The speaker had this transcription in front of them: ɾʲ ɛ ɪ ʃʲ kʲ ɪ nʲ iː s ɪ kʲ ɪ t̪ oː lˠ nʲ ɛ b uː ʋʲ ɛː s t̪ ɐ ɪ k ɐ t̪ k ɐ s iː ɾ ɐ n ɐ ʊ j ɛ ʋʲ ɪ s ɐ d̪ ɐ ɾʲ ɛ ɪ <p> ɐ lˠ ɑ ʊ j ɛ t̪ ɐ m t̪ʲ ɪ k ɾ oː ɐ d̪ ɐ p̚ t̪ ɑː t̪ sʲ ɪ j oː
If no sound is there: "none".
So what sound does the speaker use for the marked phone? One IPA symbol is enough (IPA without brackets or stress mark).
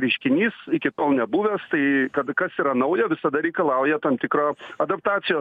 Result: k